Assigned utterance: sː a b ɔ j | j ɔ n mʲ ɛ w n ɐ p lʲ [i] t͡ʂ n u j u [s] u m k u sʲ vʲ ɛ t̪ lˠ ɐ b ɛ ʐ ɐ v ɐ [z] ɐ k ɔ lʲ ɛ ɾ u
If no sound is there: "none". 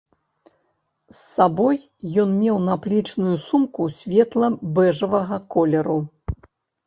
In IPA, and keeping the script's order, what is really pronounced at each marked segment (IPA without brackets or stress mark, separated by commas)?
i, s, ɣ